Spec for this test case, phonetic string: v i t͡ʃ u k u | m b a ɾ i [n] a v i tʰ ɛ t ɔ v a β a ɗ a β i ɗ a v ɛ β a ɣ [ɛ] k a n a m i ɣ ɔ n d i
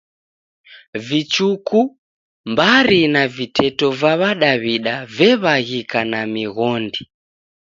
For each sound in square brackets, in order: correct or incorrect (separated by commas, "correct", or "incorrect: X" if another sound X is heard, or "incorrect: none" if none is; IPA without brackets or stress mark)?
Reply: correct, incorrect: i